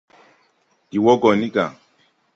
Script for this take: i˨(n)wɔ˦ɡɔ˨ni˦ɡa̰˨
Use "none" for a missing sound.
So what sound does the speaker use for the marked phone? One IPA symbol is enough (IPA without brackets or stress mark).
none